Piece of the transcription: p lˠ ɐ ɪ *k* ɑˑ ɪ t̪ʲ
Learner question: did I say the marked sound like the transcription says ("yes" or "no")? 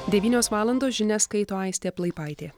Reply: no